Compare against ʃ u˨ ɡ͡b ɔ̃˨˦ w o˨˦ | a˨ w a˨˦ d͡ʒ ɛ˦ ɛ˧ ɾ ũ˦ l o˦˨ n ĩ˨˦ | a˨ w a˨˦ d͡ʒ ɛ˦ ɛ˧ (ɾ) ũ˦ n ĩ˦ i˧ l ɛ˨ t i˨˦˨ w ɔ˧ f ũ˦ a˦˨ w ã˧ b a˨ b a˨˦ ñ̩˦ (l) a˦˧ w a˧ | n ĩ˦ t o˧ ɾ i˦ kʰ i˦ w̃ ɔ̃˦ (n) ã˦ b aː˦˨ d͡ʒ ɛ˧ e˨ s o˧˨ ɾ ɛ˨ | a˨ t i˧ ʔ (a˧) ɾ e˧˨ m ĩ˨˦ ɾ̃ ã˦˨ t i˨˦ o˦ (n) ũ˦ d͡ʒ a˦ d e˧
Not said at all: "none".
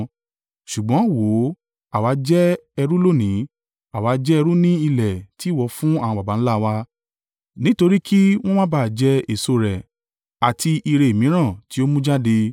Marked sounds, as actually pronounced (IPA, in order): ɾ, l, m, i˧, m

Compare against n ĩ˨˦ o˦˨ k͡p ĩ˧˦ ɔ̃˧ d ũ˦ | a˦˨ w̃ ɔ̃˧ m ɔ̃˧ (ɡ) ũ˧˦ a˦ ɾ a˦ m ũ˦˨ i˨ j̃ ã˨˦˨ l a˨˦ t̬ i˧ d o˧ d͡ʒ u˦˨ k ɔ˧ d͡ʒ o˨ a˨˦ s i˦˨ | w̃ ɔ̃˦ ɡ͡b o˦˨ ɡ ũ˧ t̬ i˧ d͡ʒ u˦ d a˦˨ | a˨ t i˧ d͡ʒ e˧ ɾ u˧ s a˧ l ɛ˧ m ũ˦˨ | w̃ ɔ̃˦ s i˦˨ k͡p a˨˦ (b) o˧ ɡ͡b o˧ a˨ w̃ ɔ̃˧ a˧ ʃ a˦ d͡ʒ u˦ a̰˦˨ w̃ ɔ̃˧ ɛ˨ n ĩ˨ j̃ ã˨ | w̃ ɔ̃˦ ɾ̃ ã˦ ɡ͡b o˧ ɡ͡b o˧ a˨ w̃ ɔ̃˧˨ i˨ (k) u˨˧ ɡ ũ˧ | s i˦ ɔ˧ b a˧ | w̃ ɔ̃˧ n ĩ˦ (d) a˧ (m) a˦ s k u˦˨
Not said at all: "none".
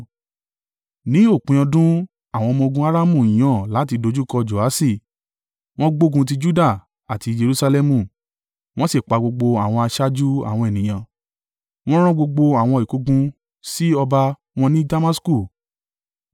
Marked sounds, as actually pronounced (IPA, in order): ɡ, ɡ͡b, k, d, m

